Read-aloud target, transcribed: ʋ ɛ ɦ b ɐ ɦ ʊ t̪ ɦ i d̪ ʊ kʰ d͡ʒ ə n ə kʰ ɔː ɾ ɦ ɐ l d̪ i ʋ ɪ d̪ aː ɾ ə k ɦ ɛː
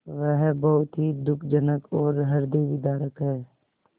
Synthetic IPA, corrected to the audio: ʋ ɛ ɦ b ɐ ɦ ʊ t̪ ɦ i d̪ ʊ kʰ d͡ʒ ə n ə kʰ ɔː ɾ ɦ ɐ ɾ d̪ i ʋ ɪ d̪ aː ɾ ə k ɦ ɛː